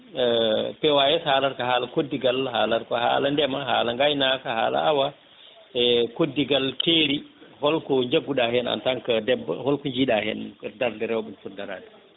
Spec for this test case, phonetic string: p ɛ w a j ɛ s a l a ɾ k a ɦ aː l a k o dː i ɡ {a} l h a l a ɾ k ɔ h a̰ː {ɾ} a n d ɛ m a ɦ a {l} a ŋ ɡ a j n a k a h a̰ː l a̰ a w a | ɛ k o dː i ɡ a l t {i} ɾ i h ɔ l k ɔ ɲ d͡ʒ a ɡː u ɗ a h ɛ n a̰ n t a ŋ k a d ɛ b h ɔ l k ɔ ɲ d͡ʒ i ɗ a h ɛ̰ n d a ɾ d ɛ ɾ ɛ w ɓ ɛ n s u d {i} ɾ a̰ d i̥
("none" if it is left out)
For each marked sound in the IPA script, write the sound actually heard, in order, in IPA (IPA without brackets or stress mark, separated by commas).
a, l, l, e, a